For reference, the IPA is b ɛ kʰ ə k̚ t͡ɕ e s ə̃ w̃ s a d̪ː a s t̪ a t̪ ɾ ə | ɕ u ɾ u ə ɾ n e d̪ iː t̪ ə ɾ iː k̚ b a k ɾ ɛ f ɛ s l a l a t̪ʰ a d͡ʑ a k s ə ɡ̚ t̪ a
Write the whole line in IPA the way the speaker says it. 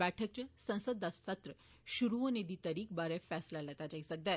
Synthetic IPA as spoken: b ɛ ʈʰ ə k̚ t͡ɕ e s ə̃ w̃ s ə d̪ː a s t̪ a t̪ ɾ ə | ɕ u ɾ u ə n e d̪ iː t̪ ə ɾ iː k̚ b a ɾ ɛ f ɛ s l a l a t̪ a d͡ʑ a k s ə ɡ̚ d̪ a